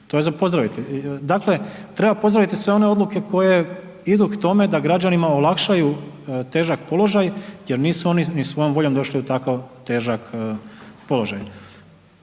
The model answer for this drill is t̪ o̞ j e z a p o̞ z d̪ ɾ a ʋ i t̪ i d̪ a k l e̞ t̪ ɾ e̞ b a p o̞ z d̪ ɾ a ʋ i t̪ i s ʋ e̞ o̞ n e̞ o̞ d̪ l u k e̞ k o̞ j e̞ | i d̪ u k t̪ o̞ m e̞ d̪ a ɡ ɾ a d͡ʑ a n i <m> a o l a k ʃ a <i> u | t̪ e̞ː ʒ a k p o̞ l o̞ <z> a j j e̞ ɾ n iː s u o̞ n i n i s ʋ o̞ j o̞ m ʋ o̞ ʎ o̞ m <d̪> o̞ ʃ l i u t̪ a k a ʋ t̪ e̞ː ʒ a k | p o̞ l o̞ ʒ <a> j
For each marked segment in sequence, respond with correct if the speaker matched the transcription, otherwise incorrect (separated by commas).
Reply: correct, incorrect, incorrect, correct, correct